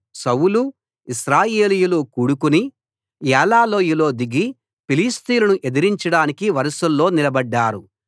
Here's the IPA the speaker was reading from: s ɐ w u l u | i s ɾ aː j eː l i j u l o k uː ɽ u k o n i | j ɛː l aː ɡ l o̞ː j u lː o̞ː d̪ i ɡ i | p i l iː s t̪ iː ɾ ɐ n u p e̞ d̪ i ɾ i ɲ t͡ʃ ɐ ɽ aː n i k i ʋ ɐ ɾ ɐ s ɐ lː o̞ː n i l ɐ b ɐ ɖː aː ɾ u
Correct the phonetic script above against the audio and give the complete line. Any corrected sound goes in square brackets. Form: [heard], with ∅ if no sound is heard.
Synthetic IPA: s ɐ w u l u | i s ɾ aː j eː l i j u l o k uː ɽ u k [u] n i | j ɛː l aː [∅] l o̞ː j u [l] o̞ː d̪ i ɡ i | p i l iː s t̪ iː [l] ɐ n u [ʔ] e̞ d̪ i ɾ i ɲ t͡ʃ ɐ ɽ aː n i k i ʋ ɐ ɾ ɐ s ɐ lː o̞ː n i l ɐ b ɐ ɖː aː ɾ u